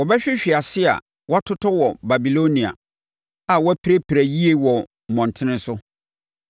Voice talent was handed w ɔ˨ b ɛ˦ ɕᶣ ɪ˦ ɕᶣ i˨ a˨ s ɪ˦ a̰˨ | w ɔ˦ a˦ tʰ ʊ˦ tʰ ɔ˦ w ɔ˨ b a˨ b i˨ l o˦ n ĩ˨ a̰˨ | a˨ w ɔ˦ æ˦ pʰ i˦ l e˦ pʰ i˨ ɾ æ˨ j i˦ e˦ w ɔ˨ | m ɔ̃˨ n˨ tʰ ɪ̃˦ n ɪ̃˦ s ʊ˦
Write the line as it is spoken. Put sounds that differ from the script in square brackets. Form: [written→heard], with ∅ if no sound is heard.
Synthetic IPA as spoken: w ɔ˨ b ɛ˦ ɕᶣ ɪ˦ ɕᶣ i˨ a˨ s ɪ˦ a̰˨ | w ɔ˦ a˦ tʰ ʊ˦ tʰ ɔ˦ w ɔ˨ b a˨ b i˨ l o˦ n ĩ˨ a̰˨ | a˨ w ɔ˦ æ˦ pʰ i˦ [l→ɾ] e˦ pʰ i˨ ɾ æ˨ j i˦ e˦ w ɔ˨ | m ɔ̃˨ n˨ tʰ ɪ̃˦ n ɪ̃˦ s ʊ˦

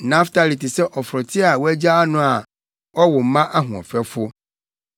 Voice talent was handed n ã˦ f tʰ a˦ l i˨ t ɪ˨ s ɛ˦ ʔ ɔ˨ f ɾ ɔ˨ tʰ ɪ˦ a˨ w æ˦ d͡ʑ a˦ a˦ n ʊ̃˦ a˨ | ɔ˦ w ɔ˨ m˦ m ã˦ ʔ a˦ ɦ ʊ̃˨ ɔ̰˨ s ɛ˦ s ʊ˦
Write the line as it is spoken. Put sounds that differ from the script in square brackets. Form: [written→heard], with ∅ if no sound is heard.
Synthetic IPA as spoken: n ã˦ f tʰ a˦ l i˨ t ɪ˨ s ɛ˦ ʔ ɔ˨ f ɾ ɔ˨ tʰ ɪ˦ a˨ w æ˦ d͡ʑ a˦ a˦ n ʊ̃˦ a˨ | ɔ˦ w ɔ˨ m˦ m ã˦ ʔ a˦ ɦ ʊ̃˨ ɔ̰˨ [s→f] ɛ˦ [s→f] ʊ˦

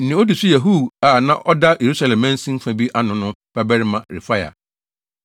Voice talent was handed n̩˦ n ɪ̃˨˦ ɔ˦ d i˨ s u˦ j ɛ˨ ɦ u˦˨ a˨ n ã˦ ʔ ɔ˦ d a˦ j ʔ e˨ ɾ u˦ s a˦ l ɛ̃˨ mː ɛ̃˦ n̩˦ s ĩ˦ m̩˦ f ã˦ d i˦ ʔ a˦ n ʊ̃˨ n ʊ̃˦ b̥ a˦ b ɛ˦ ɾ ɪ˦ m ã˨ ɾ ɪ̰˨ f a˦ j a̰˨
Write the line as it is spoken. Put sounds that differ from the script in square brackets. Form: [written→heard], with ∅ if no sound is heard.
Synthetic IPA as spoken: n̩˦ n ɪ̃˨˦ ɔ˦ d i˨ s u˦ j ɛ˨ ɦ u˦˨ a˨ n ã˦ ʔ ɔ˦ d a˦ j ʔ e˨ ɾ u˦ s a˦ l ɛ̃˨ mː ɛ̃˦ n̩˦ s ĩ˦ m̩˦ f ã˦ [d→b] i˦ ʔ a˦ n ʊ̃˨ n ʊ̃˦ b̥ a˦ b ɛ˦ ɾ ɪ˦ m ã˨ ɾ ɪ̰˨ f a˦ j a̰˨

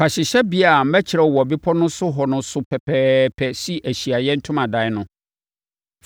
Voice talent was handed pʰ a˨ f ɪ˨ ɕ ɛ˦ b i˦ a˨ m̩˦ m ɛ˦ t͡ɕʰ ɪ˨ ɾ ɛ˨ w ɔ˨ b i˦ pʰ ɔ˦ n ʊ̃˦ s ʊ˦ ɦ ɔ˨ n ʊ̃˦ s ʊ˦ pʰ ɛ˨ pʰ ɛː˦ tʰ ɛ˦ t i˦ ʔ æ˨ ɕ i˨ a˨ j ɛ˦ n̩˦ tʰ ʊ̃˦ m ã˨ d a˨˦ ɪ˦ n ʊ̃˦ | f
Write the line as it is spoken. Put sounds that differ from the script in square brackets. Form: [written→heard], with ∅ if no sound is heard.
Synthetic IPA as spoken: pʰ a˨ [f→ɕ] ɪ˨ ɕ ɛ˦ b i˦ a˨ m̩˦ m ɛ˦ t͡ɕʰ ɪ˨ ɾ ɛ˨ w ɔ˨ b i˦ pʰ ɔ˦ n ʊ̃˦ s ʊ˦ ɦ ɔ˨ n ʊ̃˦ s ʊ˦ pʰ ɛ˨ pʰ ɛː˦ [tʰ→pʰ] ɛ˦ [t→s] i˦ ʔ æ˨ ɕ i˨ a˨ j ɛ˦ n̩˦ tʰ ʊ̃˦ m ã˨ d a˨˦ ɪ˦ n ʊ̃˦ | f

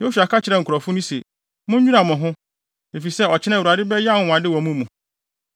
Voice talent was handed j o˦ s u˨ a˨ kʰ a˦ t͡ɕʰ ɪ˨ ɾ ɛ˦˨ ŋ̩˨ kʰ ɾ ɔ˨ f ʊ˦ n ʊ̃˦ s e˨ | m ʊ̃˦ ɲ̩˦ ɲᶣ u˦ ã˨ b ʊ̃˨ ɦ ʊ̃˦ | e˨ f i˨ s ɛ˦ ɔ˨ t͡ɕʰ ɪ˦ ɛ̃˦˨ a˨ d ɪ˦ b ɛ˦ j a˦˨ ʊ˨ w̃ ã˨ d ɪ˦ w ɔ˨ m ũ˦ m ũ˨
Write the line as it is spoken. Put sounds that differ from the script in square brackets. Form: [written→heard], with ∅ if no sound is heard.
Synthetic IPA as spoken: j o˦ s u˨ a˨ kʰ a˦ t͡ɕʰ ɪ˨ ɾ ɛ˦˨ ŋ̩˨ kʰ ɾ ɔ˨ f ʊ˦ n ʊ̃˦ s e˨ | m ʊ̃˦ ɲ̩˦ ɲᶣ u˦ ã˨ [b→m] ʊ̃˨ ɦ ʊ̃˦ | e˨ f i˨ s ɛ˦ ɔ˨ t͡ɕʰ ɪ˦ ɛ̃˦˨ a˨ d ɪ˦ b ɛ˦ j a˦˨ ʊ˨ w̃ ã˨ d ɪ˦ w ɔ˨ m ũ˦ m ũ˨

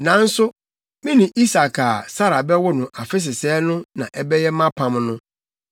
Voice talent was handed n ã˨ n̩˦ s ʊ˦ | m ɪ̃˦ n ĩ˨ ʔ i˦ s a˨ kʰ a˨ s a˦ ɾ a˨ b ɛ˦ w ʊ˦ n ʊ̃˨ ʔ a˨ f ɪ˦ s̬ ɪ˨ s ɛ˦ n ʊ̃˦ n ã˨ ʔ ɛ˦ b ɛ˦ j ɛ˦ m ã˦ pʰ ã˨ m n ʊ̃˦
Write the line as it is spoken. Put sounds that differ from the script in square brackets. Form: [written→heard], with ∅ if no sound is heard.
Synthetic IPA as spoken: n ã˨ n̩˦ s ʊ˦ | m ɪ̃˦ n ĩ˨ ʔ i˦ s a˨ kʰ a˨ s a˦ ɾ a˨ b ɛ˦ w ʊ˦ n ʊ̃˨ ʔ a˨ f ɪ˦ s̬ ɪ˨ s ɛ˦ n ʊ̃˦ n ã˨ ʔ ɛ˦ b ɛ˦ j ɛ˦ m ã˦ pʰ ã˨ m n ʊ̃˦

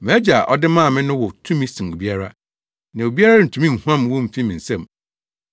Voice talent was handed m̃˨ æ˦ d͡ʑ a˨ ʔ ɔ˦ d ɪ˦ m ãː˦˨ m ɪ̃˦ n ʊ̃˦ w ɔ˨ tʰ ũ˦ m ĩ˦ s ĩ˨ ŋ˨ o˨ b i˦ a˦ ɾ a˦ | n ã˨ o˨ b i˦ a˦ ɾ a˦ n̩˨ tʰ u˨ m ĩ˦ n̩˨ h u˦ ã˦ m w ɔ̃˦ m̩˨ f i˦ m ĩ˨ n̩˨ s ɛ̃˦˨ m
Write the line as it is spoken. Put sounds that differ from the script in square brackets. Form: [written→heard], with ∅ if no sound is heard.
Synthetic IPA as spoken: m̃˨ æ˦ d͡ʑ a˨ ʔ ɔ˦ d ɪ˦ m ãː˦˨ m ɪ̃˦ n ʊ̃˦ w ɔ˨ tʰ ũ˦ m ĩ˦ s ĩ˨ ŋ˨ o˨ b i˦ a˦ ɾ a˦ | n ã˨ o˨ b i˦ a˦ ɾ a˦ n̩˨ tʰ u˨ m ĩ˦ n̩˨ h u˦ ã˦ m w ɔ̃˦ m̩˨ f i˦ m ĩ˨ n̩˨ s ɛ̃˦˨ m

